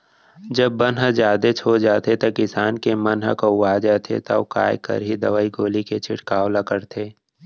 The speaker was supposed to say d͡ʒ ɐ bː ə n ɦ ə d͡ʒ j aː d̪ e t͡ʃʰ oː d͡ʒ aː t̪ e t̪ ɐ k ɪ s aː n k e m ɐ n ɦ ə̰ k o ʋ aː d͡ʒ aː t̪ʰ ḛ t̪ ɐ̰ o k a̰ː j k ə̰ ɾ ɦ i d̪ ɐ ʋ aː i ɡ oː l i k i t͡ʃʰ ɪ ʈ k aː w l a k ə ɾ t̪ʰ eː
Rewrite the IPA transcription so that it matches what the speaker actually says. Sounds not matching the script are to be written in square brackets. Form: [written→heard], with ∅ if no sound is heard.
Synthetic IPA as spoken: d͡ʒ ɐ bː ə n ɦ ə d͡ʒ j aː d̪ e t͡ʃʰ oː d͡ʒ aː t̪ e t̪ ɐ k ɪ s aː n k e m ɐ n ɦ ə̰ k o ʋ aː d͡ʒ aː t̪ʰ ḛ t̪ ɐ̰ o k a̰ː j k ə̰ ɾ ɦ i d̪ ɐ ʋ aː i ɡ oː l i k [i→e] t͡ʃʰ ɪ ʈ k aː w l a k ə ɾ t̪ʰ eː